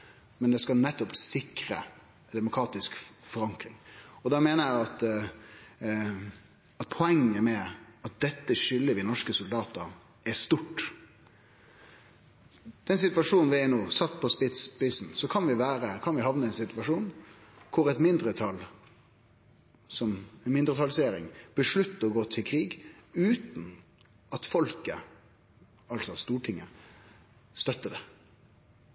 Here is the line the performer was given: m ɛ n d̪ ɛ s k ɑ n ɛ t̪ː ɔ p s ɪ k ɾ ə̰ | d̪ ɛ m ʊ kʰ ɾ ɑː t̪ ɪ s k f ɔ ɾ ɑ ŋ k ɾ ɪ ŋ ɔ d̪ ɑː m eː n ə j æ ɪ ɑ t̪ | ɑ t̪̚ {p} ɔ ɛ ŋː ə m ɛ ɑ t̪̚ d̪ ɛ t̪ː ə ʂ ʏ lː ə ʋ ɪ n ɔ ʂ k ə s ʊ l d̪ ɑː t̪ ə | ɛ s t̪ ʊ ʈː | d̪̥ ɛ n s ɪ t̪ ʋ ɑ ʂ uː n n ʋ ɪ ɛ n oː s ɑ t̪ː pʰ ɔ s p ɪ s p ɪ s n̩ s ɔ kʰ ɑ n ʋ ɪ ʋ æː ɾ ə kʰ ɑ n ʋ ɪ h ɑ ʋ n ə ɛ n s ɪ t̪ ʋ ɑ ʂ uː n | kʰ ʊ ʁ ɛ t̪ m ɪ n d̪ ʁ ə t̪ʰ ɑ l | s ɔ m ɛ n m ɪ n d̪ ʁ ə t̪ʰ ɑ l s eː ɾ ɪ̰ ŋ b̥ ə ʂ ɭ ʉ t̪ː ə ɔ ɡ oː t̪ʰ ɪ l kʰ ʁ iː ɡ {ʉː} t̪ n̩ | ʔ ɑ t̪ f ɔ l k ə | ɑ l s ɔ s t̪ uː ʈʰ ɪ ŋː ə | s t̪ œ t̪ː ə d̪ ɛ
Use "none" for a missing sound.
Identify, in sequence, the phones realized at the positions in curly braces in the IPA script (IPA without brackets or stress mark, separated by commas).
pʰ, ʉː